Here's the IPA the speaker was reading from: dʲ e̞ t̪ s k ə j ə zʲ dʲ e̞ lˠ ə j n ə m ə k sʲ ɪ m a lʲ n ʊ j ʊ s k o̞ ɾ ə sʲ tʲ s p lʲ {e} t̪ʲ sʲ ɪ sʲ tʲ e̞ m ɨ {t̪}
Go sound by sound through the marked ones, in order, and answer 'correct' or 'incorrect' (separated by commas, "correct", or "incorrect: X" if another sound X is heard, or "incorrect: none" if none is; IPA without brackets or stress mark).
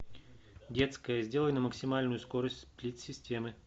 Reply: incorrect: i, incorrect: none